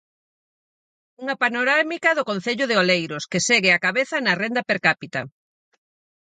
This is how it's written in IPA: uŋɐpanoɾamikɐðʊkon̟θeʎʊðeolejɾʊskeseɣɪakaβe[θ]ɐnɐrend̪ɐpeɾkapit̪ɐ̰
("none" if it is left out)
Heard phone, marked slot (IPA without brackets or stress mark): θ